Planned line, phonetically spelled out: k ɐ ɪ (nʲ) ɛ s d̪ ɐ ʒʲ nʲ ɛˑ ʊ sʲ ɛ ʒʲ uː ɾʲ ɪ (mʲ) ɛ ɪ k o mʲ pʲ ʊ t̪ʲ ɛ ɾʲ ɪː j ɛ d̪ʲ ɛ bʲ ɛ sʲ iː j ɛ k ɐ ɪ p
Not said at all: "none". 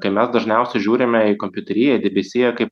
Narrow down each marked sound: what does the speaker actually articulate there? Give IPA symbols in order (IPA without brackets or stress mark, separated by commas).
mʲ, mʲ